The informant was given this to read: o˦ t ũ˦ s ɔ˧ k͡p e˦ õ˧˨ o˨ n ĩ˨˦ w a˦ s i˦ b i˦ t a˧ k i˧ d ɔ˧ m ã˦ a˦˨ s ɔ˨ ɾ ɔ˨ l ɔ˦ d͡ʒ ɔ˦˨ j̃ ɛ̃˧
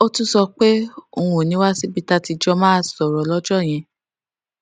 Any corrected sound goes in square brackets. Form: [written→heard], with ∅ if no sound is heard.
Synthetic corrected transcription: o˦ t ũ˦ s ɔ˧ k͡p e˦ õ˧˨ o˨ n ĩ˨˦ w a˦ s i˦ b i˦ t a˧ [k→t] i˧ [d→d͡ʒ] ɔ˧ m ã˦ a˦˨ s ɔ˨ ɾ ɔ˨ l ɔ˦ d͡ʒ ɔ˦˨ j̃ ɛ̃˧